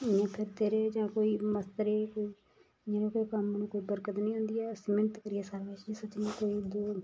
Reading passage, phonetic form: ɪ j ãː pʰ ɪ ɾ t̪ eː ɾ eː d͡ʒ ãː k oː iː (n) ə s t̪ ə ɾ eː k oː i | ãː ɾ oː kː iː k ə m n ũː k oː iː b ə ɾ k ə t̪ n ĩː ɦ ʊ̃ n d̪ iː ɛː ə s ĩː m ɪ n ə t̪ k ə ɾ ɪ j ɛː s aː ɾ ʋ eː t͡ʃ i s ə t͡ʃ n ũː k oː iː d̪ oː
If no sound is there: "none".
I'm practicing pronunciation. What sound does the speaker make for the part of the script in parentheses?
m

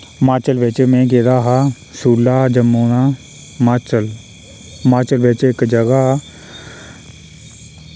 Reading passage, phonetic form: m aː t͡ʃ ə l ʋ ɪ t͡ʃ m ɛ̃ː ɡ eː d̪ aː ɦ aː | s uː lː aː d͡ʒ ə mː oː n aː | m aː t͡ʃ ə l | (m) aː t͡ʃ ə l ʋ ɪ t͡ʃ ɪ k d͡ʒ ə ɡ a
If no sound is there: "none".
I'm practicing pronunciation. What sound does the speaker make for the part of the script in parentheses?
m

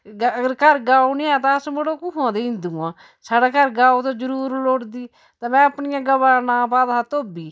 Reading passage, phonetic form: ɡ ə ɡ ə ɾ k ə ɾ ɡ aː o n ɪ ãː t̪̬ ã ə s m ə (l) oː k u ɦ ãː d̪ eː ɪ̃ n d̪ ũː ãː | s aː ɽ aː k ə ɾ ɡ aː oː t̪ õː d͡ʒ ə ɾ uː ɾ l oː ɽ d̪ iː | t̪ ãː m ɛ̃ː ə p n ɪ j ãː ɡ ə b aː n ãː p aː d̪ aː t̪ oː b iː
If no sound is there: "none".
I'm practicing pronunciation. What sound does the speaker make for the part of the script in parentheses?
ɽ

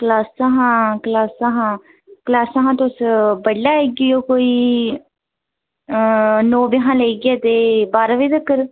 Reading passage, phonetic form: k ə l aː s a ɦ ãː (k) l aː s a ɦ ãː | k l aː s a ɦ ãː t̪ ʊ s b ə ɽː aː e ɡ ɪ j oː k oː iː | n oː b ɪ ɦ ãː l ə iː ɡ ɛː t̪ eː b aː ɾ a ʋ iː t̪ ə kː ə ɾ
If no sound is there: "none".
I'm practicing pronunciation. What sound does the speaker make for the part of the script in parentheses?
k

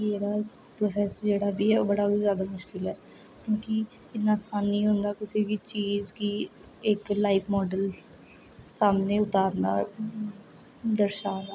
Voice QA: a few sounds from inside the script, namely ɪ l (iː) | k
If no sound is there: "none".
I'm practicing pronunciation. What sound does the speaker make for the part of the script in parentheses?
ɛː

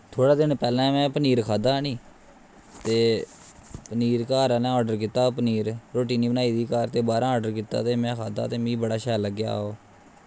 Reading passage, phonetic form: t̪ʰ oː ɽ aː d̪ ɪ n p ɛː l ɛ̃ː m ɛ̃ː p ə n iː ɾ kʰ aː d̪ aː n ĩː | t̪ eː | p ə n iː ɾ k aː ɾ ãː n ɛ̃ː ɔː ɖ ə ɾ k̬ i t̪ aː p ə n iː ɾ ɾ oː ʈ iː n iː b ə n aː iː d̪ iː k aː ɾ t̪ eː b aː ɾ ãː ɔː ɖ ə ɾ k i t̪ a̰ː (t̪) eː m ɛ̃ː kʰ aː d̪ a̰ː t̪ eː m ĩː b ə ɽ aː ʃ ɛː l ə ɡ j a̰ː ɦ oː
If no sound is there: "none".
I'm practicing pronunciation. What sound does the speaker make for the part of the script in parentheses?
t̪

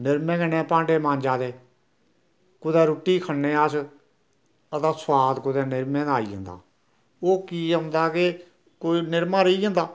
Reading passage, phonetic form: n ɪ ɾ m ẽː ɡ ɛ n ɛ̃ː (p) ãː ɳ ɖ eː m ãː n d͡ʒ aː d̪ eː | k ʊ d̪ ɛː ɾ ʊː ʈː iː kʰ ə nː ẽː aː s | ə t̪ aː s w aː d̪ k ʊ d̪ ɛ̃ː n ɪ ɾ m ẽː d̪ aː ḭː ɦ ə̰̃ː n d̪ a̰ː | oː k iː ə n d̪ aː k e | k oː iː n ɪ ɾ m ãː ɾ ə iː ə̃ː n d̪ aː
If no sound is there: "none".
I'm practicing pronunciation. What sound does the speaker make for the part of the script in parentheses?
p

